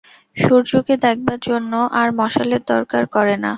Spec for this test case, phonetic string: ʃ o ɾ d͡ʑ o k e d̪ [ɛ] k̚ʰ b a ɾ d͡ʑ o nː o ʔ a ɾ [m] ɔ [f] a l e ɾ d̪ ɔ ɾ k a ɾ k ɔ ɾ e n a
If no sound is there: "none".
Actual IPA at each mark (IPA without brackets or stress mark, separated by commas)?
ɛ, m, ʃ